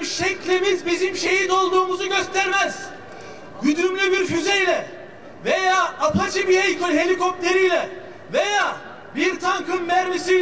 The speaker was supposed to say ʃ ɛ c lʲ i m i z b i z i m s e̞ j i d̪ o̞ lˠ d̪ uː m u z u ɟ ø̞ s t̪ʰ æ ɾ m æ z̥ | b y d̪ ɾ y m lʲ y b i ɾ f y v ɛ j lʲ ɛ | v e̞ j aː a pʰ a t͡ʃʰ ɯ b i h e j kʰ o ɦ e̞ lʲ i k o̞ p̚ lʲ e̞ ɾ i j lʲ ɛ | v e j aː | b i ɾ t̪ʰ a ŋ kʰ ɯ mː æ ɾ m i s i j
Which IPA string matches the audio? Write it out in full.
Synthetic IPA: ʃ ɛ c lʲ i m i z b i z i m ʃ e̞ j i d̪ o̞ lˠ d̪ uː m u z u ɟ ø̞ s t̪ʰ æ ɾ m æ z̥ | ɟ y d̪ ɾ y m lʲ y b i ɾ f y z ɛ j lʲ ɛ | v e̞ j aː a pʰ a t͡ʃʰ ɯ b i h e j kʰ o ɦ e̞ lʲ i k o̞ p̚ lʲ e̞ ɾ i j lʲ ɛ | v e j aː | b i ɾ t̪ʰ a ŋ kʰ ɯ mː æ ɾ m i s i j